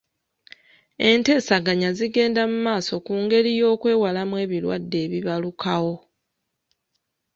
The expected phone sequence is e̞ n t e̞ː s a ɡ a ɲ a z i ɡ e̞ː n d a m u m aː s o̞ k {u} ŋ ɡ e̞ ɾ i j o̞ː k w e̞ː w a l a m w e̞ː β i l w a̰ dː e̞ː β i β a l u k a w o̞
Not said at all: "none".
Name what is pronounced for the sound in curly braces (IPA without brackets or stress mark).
uː